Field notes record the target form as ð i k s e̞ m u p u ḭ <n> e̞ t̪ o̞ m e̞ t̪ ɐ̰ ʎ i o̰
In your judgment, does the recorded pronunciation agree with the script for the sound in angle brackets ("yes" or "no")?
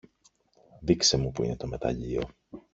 yes